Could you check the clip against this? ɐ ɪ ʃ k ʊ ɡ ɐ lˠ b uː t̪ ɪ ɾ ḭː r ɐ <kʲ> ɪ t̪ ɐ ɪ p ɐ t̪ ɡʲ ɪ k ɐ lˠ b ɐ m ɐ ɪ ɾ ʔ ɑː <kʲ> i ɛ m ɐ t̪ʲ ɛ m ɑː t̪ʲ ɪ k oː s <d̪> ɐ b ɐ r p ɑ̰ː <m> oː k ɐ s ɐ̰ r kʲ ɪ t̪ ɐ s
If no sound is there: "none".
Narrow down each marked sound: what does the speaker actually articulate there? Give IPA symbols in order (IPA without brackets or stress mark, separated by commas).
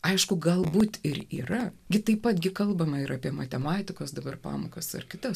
ɡʲ, pʲ, d̪, m